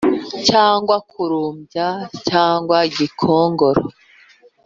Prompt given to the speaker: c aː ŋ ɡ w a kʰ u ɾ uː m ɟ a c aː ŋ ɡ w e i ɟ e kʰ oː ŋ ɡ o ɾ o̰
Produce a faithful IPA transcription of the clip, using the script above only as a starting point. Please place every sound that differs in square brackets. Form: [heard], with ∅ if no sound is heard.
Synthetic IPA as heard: c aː ŋ ɡ w a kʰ u ɾ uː m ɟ a c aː ŋ ɡ w [a] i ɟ [i] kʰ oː ŋ ɡ o ɾ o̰